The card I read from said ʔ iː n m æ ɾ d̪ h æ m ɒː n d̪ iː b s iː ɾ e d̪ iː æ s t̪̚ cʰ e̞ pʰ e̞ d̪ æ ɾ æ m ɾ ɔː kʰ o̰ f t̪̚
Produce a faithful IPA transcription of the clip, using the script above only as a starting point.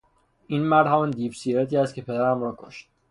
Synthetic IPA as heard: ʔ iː n m æ ɾ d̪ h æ m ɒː n d̪ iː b s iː ɾ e t̪ iː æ s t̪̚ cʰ e̞ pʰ e̞ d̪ æ ɾ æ m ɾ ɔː kʰ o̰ ʃ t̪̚

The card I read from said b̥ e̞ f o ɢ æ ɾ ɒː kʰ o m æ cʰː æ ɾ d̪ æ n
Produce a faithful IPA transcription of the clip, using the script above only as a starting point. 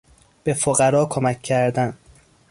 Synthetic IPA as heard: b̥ e̞ f o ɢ æ ɾ ɒː kʰ o m æ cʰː æ ɾ d̪ æ n

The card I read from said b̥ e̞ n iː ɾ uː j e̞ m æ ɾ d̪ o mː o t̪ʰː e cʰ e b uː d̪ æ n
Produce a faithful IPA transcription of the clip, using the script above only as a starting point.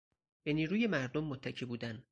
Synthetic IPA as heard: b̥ e̞ n iː ɾ uː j e̞ m æ ɾ d̪ o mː o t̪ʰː æ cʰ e b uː d̪ æ n

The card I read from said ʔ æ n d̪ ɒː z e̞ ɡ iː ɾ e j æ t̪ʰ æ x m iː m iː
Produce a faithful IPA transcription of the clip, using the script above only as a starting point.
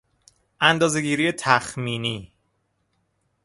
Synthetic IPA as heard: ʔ æ n d̪ ɒː z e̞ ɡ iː ɾ i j e t̪ʰ æ x m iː n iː

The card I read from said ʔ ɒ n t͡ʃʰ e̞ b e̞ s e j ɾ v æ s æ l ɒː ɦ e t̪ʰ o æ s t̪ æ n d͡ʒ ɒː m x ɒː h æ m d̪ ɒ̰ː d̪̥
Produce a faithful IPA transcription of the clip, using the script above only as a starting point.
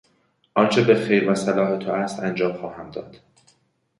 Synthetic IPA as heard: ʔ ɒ n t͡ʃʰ e̞ b e̞ x e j ɾ v æ s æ l ɒː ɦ e t̪ʰ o æ s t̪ æ n d͡ʒ ɒː m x ɒː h æ m d̪ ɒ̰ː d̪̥

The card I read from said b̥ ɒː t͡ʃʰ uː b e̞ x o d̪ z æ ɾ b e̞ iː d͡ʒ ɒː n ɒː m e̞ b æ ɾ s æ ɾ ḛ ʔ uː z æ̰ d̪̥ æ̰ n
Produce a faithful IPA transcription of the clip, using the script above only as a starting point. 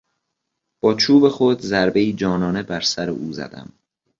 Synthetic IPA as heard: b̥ ɒː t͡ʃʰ uː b e̞ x o d̪ z æ ɾ b e̞ iː d͡ʒ ɒː n ɒː n e̞ b æ ɾ s æ ɾ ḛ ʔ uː z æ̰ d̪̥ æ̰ m

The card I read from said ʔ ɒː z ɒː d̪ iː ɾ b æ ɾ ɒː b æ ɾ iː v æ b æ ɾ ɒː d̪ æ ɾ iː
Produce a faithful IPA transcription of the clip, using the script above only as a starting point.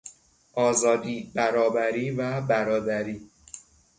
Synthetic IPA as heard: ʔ ɒː z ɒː d̪ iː b æ ɾ ɒː b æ ɾ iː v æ b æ ɾ ɒː d̪ æ ɾ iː

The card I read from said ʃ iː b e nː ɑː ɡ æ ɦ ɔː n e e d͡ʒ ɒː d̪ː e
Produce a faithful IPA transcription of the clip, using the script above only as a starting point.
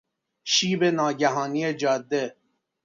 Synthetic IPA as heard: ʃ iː b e n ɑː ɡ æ ɦ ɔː n i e d͡ʒ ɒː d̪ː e

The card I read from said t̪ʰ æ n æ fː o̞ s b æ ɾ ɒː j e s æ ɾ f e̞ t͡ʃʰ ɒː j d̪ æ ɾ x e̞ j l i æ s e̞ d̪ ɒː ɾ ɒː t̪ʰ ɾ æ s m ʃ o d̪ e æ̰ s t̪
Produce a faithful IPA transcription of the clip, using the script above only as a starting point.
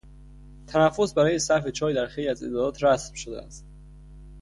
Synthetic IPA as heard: t̪ʰ æ n æ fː o̞ s b æ ɾ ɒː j e s æ ɾ f e̞ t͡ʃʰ ɒː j d̪ æ ɾ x e̞ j l i æ z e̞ d̪ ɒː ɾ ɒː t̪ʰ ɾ æ s m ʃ o d̪ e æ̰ s t̪

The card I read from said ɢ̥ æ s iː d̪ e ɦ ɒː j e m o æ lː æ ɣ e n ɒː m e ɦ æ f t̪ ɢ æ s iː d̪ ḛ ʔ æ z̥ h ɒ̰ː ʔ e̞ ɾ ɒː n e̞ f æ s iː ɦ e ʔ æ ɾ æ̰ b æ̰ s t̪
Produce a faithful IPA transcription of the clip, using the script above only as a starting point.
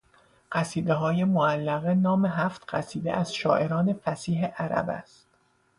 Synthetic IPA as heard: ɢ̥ æ s iː d̪ e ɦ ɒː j e m o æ lː æ ɣ e n ɒː m e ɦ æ f t̪ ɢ æ s iː d̪ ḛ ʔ æ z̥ ʃ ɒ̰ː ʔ e̞ ɾ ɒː n e̞ f æ s iː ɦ e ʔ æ ɾ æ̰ b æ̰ s t̪

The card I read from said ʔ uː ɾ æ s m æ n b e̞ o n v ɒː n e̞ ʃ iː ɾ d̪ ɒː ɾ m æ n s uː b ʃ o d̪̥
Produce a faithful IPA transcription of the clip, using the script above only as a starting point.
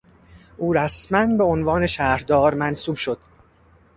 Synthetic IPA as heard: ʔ uː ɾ æ s m æ n b e̞ o n v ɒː n e̞ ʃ æː ɾ d̪ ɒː ɾ m æ n s uː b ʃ o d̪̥

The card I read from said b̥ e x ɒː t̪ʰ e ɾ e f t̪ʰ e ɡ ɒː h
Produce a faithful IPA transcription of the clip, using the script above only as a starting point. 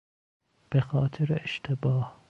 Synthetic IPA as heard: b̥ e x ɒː t̪ʰ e ɾ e ʃ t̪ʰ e b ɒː h

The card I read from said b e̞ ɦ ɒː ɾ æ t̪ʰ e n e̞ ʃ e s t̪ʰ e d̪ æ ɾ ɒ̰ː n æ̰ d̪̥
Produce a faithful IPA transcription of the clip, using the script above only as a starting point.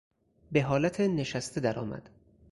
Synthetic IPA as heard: b e̞ ɦ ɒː l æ t̪ʰ e n e̞ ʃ æ s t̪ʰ e d̪ æ ɾ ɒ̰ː m æ̰ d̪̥

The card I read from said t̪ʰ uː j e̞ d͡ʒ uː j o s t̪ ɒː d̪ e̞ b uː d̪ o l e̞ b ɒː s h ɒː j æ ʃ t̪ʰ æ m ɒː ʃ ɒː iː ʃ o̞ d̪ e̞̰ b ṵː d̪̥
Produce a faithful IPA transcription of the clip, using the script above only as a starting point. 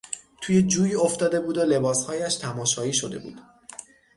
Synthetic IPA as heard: t̪ʰ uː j e̞ d͡ʒ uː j o f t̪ ɒː d̪ e̞ b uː d̪ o l e̞ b ɒː s h ɒː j æ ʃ t̪ʰ æ m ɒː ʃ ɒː iː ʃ o̞ d̪ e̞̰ b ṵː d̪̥

